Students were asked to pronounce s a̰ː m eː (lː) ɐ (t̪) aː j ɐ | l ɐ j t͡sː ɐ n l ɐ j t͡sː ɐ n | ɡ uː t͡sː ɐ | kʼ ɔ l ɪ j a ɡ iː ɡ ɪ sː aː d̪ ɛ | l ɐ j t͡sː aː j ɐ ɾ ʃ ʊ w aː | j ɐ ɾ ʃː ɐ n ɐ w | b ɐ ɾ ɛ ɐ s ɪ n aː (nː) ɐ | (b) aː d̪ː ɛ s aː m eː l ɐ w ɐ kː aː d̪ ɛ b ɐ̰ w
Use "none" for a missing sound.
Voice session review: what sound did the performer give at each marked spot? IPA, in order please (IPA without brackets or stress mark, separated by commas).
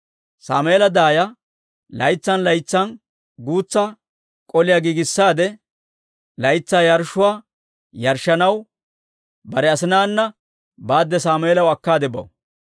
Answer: l, d̪, nː, b